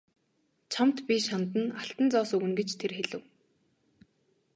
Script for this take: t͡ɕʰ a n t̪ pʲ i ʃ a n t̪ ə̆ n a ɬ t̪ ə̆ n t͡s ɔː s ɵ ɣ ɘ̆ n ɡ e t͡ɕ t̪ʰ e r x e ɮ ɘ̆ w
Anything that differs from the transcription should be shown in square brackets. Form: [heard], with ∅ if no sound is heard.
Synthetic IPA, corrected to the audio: t͡ɕʰ a [m] t̪ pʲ i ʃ a n t̪ ə̆ n a ɬ t̪ ə̆ n t͡s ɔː s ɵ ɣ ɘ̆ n ɡ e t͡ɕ t̪ʰ e r x e ɮ ɘ̆ w

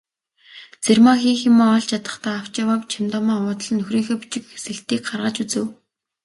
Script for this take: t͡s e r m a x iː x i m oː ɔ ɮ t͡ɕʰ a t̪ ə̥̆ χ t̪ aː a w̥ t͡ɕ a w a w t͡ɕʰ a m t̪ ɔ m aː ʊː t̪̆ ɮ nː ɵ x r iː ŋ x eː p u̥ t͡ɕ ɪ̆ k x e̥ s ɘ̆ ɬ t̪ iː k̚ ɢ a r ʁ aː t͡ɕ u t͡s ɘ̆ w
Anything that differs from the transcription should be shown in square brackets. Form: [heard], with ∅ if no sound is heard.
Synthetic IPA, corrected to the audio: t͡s e r m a x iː x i m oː ɔ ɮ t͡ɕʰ a t̪ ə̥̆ χ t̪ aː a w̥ t͡ɕ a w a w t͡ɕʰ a m t̪ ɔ m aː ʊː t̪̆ ɮ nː ɵ x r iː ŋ x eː p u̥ t͡ɕ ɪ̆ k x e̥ s ɘ̆ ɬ t̪ iː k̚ ɢ a r ʁ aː t͡ɕ u t͡s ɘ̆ w

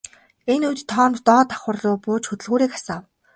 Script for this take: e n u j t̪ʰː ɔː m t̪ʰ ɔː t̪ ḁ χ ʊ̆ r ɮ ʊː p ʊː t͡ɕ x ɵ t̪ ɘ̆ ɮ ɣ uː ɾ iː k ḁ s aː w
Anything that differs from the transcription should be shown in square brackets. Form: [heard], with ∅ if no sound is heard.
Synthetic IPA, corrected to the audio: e n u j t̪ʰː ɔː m [t̪] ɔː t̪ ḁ χ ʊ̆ r ɮ ʊː p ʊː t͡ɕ x ɵ t̪ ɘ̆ ɮ ɣ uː ɾ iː k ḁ s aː w

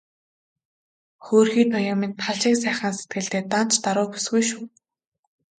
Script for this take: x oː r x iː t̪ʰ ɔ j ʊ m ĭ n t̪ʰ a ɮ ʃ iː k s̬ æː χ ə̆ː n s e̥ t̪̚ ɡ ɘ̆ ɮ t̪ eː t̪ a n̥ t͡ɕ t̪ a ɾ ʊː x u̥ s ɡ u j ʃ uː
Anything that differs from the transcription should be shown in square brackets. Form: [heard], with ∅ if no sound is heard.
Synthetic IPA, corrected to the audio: x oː r x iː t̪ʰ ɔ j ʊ m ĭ n t̪ʰ a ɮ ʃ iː k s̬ æː χ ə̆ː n s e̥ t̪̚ ɡ ɘ̆ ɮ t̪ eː t̪ a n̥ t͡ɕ t̪ a ɾ ʊː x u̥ s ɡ u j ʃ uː

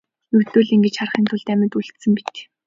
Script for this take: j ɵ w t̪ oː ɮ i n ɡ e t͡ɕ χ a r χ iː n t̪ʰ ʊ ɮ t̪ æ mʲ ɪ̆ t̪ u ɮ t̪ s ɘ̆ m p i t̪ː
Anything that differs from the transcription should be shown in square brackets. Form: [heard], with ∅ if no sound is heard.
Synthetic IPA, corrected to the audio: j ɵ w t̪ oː ɮ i [ŋ] ɡ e t͡ɕ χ a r χ iː n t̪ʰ ʊ ɮ t̪ æ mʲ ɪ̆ t̪ u ɮ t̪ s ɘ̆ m p i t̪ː

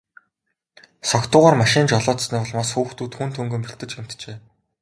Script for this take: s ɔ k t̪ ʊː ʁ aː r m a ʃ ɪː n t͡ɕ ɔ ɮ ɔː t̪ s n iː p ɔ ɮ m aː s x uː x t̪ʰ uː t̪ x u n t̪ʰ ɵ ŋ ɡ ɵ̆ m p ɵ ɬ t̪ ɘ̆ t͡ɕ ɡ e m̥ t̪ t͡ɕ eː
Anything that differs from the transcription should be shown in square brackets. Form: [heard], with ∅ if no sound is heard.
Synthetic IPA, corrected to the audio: s ɔ k t̪ ʊː ʁ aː r m a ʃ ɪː n t͡ɕ ɔ ɮ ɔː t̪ s n iː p ɔ ɮ m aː s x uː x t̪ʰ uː t̪ x u n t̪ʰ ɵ ŋ ɡ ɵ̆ m p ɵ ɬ t̪ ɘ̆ t͡ɕ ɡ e m̥ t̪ t͡ɕ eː

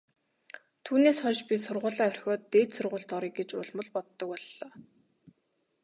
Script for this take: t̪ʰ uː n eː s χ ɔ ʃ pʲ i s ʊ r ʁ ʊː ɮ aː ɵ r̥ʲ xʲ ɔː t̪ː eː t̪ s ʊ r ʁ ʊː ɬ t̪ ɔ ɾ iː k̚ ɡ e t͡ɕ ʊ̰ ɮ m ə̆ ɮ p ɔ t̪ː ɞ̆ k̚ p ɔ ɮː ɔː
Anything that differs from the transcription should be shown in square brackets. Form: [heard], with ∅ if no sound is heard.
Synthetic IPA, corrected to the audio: t̪ʰ uː n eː s χ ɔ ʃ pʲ i s ʊ r ʁ ʊː ɮ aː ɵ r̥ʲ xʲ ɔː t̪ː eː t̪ s ʊ r ʁ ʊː ɬ t̪ ɔ ɾ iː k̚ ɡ e t͡ɕ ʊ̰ ɮ m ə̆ ɮ p ɔ t̪ː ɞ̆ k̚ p ɔ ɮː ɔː

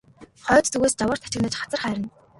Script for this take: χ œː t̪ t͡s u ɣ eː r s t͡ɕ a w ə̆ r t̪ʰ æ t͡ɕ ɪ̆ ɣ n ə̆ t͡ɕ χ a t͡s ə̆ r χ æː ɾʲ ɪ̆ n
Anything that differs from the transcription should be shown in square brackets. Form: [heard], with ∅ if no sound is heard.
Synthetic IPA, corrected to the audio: χ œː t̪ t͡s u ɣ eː [∅] s t͡ɕ a w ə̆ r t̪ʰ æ t͡ɕ ɪ̆ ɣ n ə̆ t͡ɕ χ a t͡s ə̆ r χ æː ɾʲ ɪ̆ n

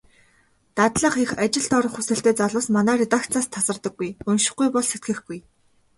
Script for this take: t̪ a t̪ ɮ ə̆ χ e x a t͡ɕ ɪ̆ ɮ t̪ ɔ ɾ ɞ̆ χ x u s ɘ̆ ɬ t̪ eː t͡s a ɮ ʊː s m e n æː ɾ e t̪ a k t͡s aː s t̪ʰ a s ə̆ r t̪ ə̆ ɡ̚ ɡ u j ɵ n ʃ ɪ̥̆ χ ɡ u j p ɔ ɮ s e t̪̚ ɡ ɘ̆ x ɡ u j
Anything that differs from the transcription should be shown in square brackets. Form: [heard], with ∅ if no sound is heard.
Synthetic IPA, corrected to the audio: t̪ a t̪ ɮ ə̆ χ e x a t͡ɕ ɪ̆ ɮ t̪ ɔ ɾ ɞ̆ χ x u s ɘ̆ ɬ t̪ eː t͡s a ɮ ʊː s m [a] n æː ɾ e t̪ a k t͡s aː s t̪ʰ a s ə̆ r t̪ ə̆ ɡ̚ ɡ u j ɵ n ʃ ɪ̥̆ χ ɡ u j p ɔ ɮ s e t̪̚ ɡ ɘ̆ x ɡ u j

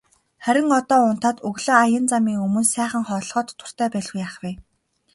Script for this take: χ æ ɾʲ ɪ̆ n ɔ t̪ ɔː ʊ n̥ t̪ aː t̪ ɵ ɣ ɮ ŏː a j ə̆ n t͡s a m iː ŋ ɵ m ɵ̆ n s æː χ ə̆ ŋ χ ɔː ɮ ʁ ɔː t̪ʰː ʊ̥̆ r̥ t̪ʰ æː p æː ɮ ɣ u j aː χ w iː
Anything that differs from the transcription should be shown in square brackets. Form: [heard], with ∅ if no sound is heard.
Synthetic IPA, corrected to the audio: χ æ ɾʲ ɪ̆ [ŋ] ɔ t̪ ɔː ʊ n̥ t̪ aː t̪ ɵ ɣ ɮ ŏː a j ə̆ n t͡s a m iː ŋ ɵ m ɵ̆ n s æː χ ə̆ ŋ χ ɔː ɮ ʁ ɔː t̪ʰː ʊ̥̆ r̥ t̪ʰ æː p æː ɮ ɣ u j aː χ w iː

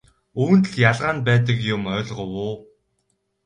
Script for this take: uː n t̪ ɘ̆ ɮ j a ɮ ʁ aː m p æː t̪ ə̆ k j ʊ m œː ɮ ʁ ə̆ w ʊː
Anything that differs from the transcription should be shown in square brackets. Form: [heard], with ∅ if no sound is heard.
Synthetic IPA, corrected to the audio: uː n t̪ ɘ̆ ɮ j a ɮ ʁ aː [n] p æː t̪ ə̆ k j ʊ m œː ɮ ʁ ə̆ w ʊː

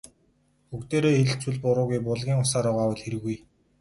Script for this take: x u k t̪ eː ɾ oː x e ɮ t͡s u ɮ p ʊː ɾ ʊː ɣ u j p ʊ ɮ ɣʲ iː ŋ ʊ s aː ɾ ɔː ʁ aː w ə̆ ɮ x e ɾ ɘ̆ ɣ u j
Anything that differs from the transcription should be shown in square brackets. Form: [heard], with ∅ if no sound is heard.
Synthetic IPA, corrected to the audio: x u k t̪ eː ɾ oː x e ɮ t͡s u ɮ p [ʊ] ɾ ʊː ɣ u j p ʊ ɮ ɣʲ iː ŋ ʊ s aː ɾ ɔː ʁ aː w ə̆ ɮ x e ɾ ɘ̆ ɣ u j

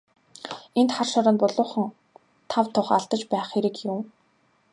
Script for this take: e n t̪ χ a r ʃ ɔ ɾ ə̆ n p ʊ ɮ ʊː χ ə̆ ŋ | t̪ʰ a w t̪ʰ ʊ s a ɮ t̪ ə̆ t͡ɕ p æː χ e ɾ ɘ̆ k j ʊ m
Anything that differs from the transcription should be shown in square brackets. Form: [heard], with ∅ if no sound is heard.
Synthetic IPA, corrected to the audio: e n t̪ χ a r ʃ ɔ ɾ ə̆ n p ʊ ɮ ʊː χ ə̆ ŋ | t̪ʰ a w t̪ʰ ʊ [χ] a ɮ t̪ ə̆ t͡ɕ p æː χ e ɾ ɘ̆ k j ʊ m

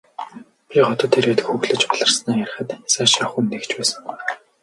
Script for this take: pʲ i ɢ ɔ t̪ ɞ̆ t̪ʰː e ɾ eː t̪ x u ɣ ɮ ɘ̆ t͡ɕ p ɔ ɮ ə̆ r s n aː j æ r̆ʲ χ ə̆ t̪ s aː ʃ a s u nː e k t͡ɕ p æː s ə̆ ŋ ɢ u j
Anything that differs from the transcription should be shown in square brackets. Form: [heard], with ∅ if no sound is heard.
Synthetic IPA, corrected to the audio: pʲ i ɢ ɔ t̪ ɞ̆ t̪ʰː e ɾ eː t̪ x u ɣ ɮ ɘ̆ t͡ɕ p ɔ ɮ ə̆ r s n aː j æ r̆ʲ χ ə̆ t̪ s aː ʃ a [χ] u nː e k t͡ɕ p æː s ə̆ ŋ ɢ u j

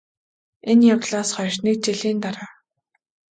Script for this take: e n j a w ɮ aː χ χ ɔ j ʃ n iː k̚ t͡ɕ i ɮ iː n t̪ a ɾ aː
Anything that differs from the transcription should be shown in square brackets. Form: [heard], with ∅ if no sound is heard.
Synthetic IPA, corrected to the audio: e n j a w ɮ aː [s] χ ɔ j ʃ n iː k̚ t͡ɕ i ɮ iː n t̪ a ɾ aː

